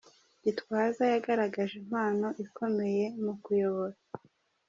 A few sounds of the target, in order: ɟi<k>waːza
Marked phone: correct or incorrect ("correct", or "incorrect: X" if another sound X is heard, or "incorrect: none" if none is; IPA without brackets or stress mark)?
incorrect: t